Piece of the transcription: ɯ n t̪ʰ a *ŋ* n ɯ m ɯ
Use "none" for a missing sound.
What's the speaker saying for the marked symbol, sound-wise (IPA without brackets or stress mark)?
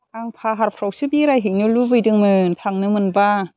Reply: ŋ